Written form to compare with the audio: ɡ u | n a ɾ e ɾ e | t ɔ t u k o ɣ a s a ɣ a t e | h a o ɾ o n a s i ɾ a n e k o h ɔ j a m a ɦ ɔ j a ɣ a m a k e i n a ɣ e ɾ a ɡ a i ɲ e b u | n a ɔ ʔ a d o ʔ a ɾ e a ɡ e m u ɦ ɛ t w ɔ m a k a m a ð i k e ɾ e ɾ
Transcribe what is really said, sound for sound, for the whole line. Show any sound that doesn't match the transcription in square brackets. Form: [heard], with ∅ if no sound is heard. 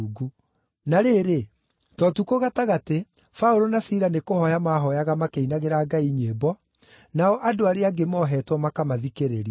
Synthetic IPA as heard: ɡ u | n a ɾ e ɾ e | t ɔ t u k o ɣ a [t] a ɣ a t e | [f] a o ɾ o n a s i ɾ a n e k o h ɔ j a m a ɦ ɔ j a ɣ a m a k e i n a ɣ e ɾ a ɡ a i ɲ e b [ɔ] | n a ɔ ʔ a d o [∅] a ɾ e a ɡ e m [ɔ] ɦ ɛ t w ɔ m a k a m a ð i k e ɾ e ɾ